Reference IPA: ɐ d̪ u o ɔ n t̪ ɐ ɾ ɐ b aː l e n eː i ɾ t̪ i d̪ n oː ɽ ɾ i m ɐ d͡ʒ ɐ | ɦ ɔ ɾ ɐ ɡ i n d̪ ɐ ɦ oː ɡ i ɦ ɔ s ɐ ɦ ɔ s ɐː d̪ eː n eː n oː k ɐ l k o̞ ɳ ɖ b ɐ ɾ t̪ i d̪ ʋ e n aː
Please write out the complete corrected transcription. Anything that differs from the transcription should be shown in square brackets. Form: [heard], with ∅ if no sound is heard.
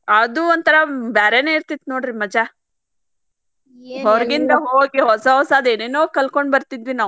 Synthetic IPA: ɐ d̪ u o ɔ n t̪ ɐ ɾ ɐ b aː [ɾ] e n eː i ɾ t̪ i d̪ n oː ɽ ɾ i m ɐ d͡ʒ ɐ | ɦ ɔ ɾ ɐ ɡ i n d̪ ɐ ɦ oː ɡ i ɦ ɔ s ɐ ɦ ɔ s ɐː d̪ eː n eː n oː k ɐ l k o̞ ɳ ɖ b ɐ ɾ t̪ i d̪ ʋ [i] n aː

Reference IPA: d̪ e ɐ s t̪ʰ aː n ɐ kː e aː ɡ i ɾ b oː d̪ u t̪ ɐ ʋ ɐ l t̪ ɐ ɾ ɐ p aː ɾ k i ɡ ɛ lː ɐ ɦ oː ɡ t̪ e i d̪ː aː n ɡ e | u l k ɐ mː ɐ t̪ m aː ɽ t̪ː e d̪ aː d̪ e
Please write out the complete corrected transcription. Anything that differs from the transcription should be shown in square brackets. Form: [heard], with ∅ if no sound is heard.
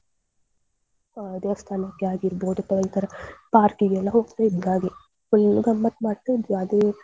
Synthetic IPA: d̪ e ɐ s t̪ʰ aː n ɐ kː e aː ɡ i ɾ b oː d̪ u t̪ ɐ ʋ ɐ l t̪ ɐ ɾ ɐ p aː ɾ k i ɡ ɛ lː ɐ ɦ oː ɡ t̪ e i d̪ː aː [∅] ɡ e | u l [ɡ] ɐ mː ɐ t̪ m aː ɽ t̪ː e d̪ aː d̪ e

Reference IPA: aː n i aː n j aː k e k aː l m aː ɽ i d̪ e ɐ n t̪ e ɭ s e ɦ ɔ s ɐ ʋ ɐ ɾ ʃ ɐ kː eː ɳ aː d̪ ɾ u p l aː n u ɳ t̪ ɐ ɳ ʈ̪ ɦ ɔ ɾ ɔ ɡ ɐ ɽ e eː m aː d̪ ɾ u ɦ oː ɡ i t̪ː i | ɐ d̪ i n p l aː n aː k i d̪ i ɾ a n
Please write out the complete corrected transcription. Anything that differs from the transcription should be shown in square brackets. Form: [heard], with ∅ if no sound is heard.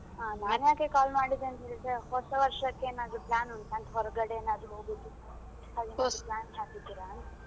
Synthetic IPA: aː n [a] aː n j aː k e k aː l m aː ɽ i d̪ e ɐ n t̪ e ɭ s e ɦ ɔ s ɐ ʋ ɐ ɾ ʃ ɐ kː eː [n] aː d̪ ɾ u p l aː n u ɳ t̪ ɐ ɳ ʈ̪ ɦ ɔ ɾ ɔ ɡ ɐ ɽ e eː [n] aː d̪ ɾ u ɦ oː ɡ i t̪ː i | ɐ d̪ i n p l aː n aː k i d̪ i ɾ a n

